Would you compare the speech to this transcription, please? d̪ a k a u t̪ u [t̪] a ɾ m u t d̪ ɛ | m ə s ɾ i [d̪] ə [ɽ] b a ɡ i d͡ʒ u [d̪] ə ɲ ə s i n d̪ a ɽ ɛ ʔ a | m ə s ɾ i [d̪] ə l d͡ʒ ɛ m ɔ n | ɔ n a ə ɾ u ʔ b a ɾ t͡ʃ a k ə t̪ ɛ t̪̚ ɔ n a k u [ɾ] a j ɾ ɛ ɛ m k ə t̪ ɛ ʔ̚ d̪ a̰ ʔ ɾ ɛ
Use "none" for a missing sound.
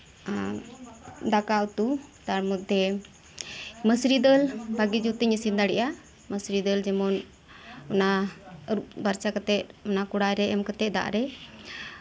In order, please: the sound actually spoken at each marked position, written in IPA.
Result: t̪, d̪, l, t̪, d̪, ɽ

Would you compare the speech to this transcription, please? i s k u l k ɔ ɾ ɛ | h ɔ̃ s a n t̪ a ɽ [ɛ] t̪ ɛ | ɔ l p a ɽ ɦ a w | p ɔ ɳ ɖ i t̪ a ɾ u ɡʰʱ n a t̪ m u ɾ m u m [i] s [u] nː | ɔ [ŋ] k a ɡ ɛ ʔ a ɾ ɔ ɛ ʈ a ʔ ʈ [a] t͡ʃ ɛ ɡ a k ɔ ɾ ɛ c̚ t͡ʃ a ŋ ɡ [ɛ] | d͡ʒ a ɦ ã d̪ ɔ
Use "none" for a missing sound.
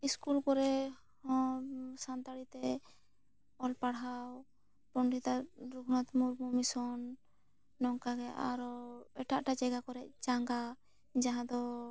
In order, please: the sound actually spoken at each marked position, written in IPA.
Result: i, i, ɔ, ŋ, a, a

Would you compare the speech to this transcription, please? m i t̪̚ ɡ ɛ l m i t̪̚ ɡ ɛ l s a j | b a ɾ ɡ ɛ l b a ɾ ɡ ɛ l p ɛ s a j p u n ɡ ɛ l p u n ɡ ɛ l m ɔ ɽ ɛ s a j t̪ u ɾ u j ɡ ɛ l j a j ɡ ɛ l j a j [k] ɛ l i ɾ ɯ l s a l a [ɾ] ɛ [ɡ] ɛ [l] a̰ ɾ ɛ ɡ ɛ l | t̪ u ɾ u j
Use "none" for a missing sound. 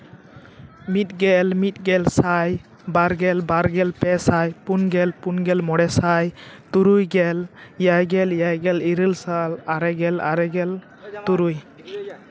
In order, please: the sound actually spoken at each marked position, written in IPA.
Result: ɡ, ɾ, ɡ, l

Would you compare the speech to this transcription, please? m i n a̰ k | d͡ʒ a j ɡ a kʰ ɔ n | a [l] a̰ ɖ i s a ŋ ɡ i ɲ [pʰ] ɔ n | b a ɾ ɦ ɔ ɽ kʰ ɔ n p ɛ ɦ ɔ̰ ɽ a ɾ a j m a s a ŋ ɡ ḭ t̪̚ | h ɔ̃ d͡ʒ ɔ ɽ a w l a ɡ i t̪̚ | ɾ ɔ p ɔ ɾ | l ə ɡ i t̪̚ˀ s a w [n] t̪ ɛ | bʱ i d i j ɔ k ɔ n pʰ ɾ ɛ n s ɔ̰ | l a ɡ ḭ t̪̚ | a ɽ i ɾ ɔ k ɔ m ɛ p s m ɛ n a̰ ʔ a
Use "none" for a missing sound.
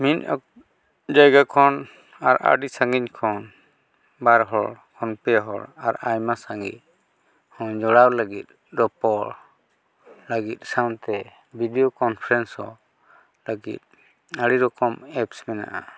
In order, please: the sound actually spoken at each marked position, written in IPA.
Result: ɾ, kʰ, n

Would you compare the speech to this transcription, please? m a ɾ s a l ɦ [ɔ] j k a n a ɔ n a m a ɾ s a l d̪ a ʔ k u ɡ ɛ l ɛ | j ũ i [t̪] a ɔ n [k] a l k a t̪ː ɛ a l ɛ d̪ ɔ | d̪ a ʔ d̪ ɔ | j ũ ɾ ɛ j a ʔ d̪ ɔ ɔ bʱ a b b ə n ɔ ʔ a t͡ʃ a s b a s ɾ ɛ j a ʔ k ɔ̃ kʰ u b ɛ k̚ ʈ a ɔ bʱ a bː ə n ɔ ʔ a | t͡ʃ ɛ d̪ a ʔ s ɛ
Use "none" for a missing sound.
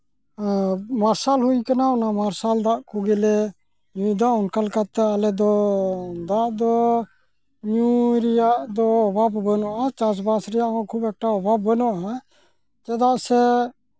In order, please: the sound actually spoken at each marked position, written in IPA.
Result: u, d̪, k

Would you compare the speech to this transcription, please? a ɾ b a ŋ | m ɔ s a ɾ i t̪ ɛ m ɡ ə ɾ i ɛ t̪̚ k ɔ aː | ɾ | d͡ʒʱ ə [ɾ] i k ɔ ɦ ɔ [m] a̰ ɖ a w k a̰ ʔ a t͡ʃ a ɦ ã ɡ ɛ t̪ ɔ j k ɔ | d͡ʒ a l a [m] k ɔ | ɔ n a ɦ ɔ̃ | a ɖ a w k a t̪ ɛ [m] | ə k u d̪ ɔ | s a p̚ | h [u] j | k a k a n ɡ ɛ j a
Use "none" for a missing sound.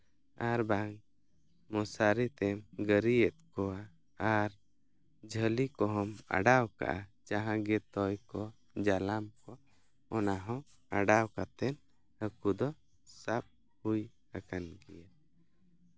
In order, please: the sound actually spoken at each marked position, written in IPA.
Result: l, m, m, n, u

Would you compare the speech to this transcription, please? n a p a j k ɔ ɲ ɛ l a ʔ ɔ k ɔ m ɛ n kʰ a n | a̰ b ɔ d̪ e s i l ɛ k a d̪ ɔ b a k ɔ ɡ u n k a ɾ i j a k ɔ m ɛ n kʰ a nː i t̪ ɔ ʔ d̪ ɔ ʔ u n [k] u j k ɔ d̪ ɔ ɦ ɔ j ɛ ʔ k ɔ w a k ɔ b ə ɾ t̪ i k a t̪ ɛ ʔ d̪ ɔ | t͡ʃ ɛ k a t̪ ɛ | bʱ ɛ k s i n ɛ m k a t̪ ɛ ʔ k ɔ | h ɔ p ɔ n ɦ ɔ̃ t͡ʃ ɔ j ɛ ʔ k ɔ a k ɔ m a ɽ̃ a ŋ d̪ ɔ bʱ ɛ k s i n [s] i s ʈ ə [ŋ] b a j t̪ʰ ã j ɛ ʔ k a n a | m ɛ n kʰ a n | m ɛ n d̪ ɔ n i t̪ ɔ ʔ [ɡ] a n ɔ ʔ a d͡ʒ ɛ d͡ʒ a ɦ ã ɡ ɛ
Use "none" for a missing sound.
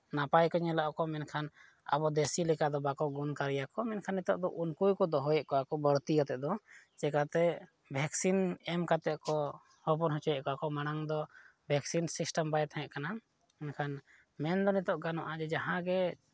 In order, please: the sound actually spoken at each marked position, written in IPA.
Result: k, s, m, ɡ

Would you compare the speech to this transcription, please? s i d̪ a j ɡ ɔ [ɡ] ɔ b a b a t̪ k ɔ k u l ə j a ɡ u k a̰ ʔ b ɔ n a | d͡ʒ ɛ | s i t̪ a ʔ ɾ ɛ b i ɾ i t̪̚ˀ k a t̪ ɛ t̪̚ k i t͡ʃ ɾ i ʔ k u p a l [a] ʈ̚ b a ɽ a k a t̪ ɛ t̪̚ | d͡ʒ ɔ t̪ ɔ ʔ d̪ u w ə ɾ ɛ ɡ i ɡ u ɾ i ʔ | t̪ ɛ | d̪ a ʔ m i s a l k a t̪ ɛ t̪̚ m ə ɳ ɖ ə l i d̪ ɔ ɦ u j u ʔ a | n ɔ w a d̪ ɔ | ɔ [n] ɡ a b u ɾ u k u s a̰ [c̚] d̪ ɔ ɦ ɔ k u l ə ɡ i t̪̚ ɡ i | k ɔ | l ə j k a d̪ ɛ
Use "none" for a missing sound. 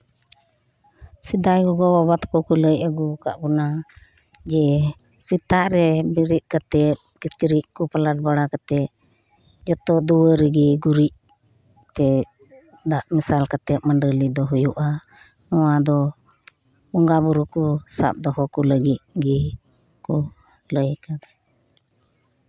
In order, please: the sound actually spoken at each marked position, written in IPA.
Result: ɡ, a, ŋ, p̚

